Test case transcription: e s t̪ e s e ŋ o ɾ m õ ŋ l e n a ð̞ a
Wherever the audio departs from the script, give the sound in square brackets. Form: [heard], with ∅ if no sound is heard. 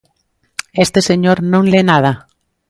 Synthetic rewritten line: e s t̪ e s e [ɲ] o ɾ [n] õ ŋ l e n a ð̞ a